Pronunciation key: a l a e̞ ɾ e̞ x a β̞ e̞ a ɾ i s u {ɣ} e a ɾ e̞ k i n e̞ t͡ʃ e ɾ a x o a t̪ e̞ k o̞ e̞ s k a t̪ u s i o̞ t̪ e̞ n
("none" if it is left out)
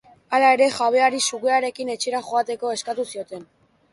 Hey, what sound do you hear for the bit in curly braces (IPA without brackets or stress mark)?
ɣ